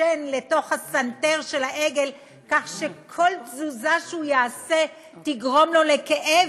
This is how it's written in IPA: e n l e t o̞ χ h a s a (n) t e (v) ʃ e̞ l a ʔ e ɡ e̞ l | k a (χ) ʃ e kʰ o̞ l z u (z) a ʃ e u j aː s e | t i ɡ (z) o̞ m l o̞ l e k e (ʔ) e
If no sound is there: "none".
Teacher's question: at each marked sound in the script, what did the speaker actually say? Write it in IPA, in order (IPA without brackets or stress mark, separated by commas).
n, ʁ, χ, z, ʁ, ʔ